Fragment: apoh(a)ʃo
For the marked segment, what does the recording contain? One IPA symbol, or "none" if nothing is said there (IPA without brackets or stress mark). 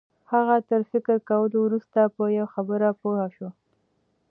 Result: a